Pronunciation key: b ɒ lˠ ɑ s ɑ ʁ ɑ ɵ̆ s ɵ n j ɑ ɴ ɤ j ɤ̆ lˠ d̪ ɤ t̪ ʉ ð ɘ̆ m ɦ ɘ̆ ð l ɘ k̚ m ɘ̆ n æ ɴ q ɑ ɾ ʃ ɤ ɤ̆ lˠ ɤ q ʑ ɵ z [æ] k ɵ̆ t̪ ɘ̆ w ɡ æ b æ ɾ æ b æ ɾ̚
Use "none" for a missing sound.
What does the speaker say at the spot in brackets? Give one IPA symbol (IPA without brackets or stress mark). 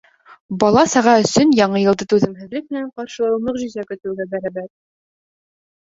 æ